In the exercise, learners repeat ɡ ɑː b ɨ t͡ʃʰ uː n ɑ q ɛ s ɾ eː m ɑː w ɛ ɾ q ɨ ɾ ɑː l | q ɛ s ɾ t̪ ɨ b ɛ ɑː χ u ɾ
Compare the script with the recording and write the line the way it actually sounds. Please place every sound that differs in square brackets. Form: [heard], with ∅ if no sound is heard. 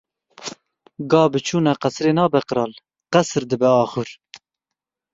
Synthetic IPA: ɡ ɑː b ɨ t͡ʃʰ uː n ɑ q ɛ s ɾ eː [n] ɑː [b] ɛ [∅] q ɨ ɾ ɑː l | q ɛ s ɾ [d̪] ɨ b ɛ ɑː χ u ɾ